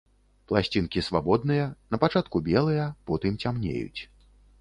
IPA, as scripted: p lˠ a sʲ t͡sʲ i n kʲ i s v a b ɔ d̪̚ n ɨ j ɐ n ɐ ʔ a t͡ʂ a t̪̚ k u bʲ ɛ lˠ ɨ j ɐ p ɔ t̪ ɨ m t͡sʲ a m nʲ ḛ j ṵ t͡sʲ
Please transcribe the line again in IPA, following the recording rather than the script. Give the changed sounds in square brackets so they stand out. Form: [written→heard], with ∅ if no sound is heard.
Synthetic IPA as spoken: p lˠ a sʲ t͡sʲ i n kʲ i s v a b ɔ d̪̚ n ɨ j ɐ n ɐ [ʔ→p] a t͡ʂ a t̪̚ k u bʲ ɛ lˠ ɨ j ɐ p ɔ t̪ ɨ m t͡sʲ a m nʲ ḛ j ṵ t͡sʲ